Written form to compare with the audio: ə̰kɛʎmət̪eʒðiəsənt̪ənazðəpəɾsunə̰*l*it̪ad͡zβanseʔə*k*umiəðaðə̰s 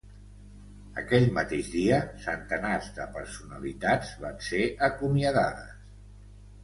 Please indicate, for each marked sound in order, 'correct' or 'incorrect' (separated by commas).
correct, correct